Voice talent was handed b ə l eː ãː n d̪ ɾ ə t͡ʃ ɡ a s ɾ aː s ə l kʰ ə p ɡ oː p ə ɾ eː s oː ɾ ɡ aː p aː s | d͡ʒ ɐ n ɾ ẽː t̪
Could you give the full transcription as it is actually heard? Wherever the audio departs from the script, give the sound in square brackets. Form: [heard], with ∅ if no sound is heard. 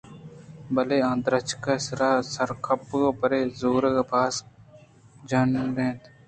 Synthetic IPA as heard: b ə l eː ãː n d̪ ɾ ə t͡ʃ [k] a s ɾ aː s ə [ɾ] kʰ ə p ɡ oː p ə ɾ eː [z] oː ɾ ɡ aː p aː s | d͡ʒ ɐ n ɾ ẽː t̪